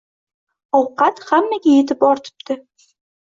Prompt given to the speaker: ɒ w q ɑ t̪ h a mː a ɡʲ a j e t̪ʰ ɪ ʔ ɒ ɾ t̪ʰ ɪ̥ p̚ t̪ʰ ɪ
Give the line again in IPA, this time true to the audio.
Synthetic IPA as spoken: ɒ w q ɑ t̪ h a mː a ɡʲ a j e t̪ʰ ɪ p ɒ ɾ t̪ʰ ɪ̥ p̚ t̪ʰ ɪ